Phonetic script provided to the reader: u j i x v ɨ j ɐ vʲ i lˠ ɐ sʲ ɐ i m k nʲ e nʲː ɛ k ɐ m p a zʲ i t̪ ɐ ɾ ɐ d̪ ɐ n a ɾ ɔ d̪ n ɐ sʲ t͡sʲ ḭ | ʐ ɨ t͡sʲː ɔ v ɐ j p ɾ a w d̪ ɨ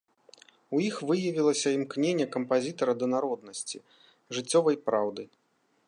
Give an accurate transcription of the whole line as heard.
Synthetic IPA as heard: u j i x v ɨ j ɐ vʲ i lˠ ɐ sʲ ɐ i m k nʲ e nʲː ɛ k ɐ m p a zʲ i t̪ ɐ ɾ ɐ d̪ ɐ n a ɾ ɔ d̪ n ɐ sʲ t͡sʲ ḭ | ʐ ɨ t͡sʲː ɔ v ɐ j p ɾ a w d̪ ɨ